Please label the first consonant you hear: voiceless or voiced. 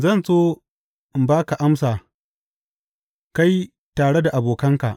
voiced